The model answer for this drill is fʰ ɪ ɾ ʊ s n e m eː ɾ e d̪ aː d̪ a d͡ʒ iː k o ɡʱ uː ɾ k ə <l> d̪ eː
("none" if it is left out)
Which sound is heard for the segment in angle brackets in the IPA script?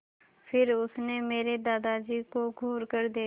ɾ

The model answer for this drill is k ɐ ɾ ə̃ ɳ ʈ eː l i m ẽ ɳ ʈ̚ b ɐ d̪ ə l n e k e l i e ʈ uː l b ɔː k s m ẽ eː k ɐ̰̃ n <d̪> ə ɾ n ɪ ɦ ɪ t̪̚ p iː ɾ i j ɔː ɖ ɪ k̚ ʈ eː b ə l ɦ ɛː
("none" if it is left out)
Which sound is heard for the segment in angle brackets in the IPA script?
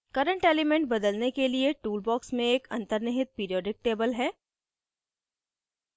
t̪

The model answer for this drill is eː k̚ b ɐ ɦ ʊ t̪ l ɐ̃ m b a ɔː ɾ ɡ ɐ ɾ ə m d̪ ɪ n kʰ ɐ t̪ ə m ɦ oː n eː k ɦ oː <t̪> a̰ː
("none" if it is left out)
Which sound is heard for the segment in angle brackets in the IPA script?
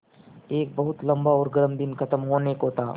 t̪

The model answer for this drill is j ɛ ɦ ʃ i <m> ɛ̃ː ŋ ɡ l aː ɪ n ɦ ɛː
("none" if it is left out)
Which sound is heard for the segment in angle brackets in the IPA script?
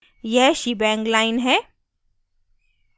b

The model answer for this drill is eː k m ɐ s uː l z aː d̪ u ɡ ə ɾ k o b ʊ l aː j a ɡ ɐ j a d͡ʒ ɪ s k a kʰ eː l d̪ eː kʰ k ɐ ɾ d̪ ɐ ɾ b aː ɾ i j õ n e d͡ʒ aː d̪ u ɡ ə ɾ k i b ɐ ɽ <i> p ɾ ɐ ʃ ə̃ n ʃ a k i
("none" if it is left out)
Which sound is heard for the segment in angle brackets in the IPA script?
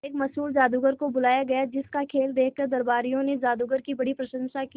i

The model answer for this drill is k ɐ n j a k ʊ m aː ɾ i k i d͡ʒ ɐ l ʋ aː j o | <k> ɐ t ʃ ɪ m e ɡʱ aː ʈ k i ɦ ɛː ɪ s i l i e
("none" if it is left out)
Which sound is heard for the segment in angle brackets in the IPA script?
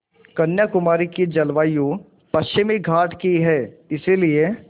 p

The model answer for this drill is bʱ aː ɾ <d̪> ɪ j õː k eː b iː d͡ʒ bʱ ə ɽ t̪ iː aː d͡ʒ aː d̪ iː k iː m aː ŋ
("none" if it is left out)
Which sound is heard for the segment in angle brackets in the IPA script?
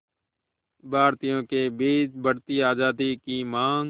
t̪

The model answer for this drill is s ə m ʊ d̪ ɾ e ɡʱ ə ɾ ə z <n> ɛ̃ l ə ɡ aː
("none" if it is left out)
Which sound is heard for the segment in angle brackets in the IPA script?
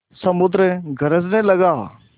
n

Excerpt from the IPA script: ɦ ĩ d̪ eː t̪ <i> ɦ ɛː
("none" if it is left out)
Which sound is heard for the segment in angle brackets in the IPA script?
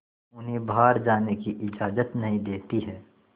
i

